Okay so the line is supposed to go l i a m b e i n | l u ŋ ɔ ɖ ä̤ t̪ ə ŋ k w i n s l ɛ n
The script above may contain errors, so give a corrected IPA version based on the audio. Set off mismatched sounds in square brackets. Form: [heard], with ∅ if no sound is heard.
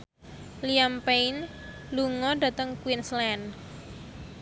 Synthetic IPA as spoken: l i a m [p] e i n | l u ŋ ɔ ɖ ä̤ t̪ ə ŋ k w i n s l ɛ n